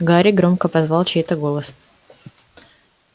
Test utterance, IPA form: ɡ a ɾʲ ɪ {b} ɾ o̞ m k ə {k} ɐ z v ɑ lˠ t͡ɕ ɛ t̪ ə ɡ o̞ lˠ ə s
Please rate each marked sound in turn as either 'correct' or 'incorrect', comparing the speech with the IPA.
incorrect: ɡ, incorrect: p

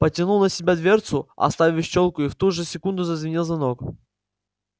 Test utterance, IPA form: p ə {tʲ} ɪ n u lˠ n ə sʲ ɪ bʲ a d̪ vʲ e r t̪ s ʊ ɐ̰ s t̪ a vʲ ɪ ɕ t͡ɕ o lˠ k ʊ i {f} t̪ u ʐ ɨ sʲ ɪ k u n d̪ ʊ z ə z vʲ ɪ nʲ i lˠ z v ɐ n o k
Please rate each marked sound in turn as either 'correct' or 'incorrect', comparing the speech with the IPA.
correct, correct

